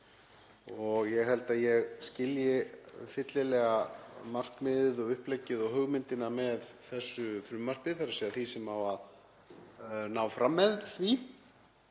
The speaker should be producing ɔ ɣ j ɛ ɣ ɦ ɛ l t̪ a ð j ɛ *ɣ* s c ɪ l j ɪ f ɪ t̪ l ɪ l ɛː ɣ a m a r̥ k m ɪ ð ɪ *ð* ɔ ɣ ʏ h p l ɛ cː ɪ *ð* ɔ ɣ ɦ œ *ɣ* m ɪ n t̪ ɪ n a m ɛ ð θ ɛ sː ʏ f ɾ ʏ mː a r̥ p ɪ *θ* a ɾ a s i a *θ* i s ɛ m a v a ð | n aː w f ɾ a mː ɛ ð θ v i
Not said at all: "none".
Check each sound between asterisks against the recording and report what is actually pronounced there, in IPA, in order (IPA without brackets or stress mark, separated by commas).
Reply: ɣ, ð, ð, ɣ, θ, θ